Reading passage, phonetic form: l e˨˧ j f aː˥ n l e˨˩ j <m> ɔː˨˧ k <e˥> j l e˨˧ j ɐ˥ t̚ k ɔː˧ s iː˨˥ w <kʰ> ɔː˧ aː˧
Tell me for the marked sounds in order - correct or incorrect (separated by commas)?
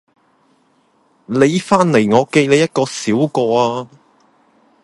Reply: incorrect, incorrect, incorrect